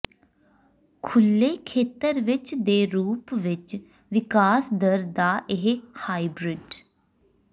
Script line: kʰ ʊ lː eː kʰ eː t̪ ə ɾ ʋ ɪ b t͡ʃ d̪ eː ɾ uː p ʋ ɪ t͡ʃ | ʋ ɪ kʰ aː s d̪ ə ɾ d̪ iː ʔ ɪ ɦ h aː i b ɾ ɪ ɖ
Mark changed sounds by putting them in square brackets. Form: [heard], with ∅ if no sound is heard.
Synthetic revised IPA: kʰ ʊ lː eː kʰ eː t̪ ə ɾ ʋ ɪ [∅] t͡ʃ d̪ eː ɾ uː p ʋ ɪ t͡ʃ | ʋ ɪ [k] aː s d̪ ə ɾ d̪ [aː] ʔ ɪ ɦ h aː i b ɾ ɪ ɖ